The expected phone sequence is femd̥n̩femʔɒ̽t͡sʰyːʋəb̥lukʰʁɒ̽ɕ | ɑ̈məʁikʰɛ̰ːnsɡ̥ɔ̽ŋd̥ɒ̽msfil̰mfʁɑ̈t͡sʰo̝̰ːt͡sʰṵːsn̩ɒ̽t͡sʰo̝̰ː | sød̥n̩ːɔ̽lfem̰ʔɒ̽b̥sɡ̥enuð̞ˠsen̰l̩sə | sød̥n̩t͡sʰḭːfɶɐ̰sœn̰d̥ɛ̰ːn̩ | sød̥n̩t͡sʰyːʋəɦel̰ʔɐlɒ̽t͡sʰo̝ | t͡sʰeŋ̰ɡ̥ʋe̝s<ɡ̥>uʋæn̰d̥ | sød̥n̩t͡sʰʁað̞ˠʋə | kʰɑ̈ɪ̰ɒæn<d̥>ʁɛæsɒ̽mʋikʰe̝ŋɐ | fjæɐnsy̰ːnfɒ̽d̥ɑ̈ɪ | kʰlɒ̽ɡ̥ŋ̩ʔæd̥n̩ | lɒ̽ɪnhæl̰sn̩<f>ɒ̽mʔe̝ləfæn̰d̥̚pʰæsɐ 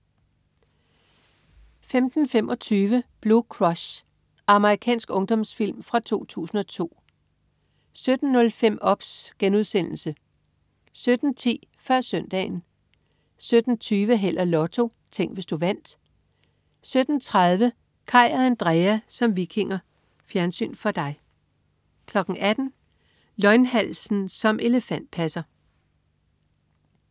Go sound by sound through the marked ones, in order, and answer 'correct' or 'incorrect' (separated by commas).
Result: incorrect, correct, incorrect